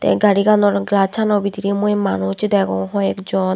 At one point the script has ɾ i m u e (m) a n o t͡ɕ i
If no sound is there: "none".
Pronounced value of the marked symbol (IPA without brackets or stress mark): m